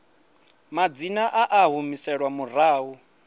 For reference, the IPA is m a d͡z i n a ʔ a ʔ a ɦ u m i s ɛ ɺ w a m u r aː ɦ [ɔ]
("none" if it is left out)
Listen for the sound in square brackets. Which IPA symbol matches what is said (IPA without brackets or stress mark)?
u